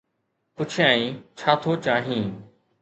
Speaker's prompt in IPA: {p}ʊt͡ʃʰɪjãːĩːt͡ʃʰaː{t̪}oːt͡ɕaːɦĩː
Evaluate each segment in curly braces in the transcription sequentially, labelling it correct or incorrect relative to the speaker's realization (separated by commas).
correct, incorrect